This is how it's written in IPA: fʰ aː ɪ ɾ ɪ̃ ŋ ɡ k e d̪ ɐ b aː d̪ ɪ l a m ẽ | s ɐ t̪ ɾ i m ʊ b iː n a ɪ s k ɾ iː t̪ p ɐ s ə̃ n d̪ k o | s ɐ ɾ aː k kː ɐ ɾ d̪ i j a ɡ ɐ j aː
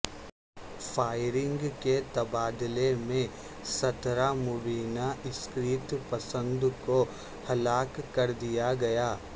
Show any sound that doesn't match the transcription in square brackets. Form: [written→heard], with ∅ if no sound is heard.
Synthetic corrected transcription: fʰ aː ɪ ɾ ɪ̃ ŋ ɡ k e [d̪→t̪] ɐ b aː d̪ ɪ l [a→e] m ẽ | s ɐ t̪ ɾ [i→a] m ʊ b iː n a ɪ s k ɾ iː t̪ p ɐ s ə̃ n d̪ k o | [s→h] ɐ [ɾ→l] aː k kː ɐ ɾ d̪ i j a ɡ ɐ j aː